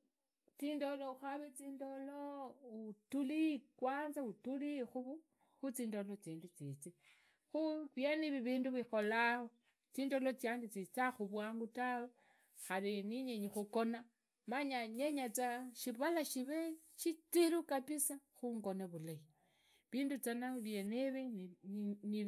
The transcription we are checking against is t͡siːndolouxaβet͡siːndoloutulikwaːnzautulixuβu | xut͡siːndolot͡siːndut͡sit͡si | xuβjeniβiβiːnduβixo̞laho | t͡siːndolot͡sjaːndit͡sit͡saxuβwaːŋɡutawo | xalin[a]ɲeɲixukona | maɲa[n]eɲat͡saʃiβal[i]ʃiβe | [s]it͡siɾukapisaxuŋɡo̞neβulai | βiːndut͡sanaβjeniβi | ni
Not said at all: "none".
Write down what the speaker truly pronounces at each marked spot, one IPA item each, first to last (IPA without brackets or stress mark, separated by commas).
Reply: i, ɲ, a, ʃ